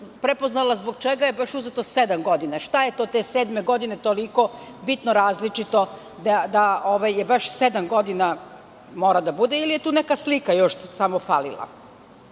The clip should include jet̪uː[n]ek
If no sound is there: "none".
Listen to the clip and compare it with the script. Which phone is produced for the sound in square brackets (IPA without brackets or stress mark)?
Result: n